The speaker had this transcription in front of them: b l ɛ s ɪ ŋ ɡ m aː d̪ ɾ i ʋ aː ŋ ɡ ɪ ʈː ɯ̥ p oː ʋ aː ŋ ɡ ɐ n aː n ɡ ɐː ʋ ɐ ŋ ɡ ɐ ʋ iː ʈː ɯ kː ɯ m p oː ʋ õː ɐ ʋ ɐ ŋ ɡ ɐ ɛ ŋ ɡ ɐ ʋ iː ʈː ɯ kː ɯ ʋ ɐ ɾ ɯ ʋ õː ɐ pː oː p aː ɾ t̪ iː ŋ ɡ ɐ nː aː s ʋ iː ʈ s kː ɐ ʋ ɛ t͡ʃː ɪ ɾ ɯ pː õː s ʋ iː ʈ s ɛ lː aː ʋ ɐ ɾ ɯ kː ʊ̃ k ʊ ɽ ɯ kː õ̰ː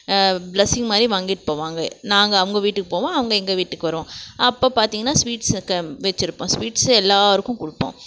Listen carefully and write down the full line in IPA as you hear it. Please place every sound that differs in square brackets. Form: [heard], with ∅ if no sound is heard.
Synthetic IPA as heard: b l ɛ s ɪ ŋ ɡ m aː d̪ ɾ i ʋ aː ŋ ɡ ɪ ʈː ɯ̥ p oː ʋ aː ŋ ɡ ɐ n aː [ŋ] ɡ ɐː ʋ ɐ ŋ ɡ ɐ ʋ iː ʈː ɯ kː ɯ [∅] p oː ʋ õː ɐ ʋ ɐ ŋ ɡ ɐ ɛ ŋ ɡ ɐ ʋ iː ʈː ɯ kː ɯ ʋ ɐ ɾ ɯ ʋ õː ɐ pː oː p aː ɾ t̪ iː ŋ ɡ ɐ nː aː s ʋ iː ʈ s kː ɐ ʋ ɛ t͡ʃː ɪ ɾ ɯ pː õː s ʋ iː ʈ s ɛ lː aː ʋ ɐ ɾ ɯ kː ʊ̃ k ʊ ɽ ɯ [pː] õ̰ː